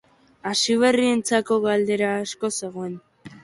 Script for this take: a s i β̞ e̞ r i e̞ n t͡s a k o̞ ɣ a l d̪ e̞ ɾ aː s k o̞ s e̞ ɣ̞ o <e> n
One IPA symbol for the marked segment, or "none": e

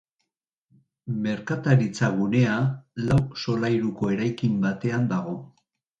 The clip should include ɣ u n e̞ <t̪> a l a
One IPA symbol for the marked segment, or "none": none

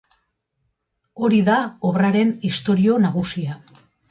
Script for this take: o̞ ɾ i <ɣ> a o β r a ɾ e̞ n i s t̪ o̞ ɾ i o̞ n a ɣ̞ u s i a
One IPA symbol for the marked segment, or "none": ð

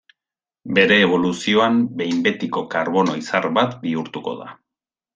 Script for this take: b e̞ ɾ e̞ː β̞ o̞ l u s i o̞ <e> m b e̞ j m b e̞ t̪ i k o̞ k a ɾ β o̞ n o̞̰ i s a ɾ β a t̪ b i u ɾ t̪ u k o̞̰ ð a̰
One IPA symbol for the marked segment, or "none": a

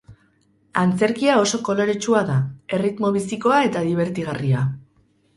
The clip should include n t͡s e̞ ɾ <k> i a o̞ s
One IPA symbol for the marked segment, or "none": k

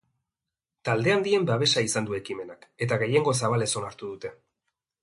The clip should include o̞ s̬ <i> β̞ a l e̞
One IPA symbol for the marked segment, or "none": a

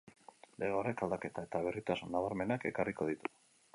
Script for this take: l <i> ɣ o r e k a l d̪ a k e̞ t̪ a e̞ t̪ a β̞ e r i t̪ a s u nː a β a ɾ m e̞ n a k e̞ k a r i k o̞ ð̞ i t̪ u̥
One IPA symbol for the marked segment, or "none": e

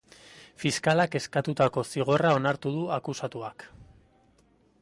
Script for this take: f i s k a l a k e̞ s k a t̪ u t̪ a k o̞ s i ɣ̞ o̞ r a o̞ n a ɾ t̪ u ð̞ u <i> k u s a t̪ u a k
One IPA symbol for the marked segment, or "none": a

